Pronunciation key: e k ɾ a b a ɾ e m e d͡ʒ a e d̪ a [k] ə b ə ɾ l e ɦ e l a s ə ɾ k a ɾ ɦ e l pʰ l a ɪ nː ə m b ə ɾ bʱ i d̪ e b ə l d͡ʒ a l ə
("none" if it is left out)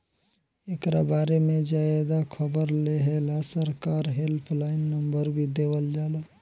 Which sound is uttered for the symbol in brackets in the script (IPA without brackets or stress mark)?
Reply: kʰ